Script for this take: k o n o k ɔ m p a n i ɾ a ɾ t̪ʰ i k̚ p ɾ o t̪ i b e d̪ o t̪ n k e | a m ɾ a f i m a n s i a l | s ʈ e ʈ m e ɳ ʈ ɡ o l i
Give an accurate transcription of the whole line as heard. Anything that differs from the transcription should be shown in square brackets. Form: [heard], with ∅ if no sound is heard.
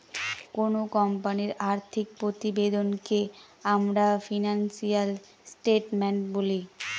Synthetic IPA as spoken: k o n o k ɔ m p a n i ɾ a ɾ t̪ʰ i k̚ p ɾ o t̪ i b e d̪ o [∅] n k e | a m ɾ a f i [n] a n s i a l | s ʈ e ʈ m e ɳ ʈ [b] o l i